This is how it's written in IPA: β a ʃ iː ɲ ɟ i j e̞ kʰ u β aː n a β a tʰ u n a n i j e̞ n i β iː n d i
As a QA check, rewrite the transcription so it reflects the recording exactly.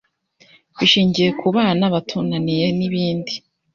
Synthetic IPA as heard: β i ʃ iː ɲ ɟ i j e̞ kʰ u β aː n a β a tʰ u n a n i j e̞ n i β iː n d i